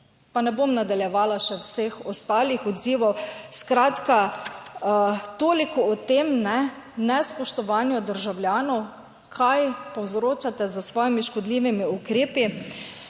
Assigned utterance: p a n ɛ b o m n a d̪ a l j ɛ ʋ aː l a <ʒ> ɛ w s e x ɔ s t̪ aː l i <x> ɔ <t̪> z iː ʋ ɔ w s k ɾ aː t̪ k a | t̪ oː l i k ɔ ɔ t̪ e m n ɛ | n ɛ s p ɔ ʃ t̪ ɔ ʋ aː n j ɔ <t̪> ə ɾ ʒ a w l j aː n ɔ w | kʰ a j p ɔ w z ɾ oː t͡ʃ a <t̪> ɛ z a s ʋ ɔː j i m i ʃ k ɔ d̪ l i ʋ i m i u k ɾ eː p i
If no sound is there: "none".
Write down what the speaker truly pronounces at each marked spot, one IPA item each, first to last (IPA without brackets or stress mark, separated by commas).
ʃ, x, d̪, d̪, t̪